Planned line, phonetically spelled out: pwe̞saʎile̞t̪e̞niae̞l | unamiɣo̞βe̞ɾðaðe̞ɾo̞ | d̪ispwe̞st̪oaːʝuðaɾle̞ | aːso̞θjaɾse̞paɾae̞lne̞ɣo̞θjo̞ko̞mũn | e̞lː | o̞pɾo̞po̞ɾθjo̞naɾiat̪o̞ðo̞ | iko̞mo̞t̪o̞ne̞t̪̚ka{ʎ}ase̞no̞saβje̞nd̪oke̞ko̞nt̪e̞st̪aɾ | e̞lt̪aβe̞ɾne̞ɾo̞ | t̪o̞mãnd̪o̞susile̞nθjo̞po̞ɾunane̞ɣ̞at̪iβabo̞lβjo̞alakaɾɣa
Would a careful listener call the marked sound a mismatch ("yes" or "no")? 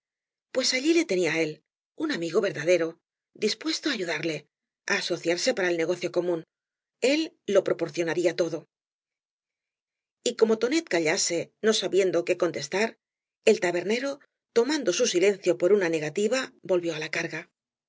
no